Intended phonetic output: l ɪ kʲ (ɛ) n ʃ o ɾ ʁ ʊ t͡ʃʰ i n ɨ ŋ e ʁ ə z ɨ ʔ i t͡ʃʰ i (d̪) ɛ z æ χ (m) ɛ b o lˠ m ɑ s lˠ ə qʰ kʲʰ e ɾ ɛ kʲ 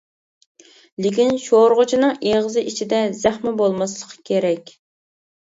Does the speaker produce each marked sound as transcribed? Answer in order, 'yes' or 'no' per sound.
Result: no, yes, yes

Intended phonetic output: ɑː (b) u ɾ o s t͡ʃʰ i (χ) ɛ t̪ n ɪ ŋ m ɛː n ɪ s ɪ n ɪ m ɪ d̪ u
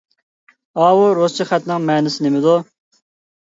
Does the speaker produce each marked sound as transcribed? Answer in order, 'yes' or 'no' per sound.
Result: no, yes

